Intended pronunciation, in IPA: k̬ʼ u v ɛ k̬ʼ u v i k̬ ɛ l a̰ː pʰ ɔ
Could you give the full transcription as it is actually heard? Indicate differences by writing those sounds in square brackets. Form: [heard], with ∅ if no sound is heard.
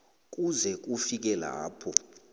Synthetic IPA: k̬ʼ u [z] ɛ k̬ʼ u [f] i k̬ ɛ l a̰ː pʰ ɔ